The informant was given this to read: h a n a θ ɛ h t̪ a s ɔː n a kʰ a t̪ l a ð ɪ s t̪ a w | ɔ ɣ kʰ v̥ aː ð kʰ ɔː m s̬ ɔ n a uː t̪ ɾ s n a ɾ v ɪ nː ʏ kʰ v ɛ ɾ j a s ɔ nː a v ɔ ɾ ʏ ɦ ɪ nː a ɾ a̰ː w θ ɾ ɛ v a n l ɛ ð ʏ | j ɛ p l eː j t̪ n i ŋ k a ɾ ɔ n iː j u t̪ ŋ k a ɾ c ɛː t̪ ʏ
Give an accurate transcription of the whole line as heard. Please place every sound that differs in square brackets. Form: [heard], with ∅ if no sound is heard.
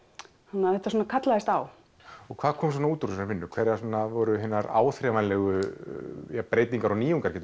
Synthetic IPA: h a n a θ ɛ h t̪ a s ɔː n a kʰ a t̪ l a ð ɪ s t̪ a w | ɔ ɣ kʰ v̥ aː ð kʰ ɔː m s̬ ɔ n a uː t̪ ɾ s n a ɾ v ɪ nː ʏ kʰ v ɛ ɾ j a s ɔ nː a v ɔ ɾ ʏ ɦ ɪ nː a ɾ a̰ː w θ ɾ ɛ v a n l ɛ [ɣ] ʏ | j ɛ p [ɾ] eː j t̪ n i ŋ k a ɾ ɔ n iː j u [∅] ŋ k a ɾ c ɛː t̪ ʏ